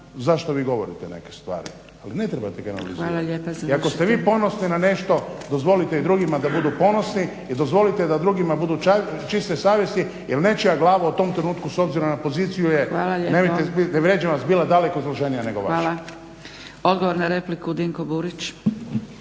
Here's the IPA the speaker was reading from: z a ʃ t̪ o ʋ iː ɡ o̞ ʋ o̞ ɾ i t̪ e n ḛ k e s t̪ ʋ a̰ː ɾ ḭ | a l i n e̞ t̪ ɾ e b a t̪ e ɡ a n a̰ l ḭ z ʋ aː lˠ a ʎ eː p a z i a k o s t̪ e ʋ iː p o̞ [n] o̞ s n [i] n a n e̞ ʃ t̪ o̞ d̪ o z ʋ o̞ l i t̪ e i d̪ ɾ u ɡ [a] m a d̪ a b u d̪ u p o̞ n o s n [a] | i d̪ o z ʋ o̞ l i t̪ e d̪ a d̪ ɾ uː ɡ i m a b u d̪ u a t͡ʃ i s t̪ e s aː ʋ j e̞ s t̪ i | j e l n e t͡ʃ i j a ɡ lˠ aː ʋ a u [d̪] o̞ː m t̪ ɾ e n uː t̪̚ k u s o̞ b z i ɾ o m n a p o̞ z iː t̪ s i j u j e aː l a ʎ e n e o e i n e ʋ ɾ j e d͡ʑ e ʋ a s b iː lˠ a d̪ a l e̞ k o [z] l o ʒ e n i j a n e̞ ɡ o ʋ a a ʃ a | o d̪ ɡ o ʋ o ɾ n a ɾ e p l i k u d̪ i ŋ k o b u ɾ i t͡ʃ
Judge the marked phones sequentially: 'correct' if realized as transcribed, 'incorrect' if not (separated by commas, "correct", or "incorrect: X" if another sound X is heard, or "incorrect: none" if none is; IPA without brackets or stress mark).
correct, correct, incorrect: i, incorrect: i, incorrect: t̪, correct